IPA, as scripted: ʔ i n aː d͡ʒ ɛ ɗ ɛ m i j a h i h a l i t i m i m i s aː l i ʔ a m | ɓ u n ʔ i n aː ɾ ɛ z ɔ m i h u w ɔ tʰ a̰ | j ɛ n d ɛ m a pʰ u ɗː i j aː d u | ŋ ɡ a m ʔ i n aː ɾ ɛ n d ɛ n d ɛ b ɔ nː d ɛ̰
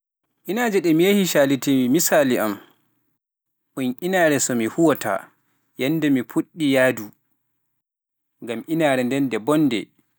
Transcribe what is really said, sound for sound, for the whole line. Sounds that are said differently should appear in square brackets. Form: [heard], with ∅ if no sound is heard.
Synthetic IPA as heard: ʔ i n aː d͡ʒ ɛ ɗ ɛ m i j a h i [ʃ] a l i t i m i m i s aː l i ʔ a m | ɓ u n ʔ i n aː ɾ ɛ [s] ɔ m i h u w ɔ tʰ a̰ | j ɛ n d ɛ m [i] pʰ u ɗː i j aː d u | ŋ ɡ a m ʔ i n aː ɾ ɛ n d ɛ n d ɛ b ɔ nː d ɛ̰